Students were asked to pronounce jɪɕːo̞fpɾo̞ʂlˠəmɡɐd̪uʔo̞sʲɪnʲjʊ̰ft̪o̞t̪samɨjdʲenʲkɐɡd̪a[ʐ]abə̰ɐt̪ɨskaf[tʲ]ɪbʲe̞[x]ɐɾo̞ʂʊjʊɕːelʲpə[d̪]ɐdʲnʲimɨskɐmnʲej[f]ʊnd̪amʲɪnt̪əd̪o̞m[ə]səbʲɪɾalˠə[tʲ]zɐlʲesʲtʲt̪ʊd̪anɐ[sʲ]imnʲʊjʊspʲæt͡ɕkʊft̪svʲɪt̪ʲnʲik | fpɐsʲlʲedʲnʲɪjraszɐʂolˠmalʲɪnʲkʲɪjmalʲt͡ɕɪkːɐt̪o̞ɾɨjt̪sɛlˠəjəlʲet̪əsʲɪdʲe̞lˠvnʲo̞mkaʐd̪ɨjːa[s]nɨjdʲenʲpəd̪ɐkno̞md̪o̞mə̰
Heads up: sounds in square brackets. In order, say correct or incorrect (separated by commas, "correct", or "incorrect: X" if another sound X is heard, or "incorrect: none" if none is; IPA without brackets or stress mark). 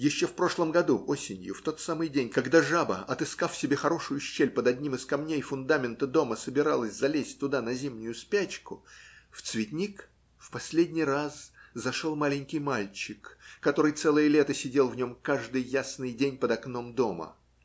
correct, incorrect: sʲ, correct, correct, correct, correct, incorrect: sʲ, incorrect: zʲ, correct